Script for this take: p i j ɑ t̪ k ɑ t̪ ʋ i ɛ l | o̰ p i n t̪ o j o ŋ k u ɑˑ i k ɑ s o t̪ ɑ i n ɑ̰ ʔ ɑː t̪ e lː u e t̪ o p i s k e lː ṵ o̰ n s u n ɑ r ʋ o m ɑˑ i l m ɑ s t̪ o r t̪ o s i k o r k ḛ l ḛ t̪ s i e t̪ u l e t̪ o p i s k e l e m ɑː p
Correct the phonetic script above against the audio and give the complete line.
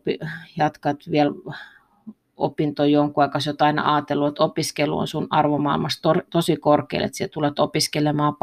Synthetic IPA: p i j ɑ t̪ k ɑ t̪ ʋ i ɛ l | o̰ p i n t̪ o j o ŋ k u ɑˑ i k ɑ s o t̪ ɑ i n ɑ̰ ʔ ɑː t̪ e lː u e t̪ o p i s k e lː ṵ o̰ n s u n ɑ r ʋ o m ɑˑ i l m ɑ s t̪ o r t̪ o s i k o r k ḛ l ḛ t̪ s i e t̪ u l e t̪ o p i s k e l e m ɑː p